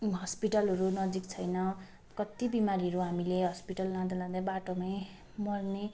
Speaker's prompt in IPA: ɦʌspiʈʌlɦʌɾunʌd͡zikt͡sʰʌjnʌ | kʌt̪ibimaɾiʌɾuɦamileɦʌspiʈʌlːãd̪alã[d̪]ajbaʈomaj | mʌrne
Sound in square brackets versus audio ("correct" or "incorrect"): correct